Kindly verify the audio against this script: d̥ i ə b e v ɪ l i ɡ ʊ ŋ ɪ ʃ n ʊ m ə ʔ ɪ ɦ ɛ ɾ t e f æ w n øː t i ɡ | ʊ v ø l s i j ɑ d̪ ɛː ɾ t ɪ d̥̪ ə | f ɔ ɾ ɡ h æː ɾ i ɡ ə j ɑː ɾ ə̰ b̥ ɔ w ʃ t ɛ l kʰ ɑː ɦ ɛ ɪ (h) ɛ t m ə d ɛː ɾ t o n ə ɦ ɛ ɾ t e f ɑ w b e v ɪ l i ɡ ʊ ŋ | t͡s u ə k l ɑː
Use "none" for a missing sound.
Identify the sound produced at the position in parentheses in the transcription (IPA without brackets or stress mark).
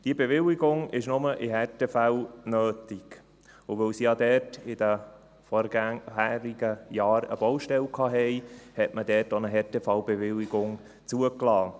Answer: h